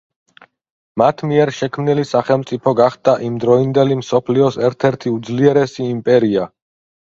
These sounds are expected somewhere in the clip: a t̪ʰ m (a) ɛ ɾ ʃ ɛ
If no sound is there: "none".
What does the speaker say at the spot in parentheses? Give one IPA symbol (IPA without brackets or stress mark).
i